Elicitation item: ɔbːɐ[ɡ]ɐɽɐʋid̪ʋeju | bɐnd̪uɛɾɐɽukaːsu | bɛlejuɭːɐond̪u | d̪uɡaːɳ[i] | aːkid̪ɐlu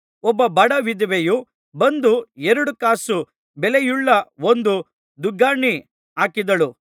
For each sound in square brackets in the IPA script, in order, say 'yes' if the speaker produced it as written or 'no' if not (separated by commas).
no, yes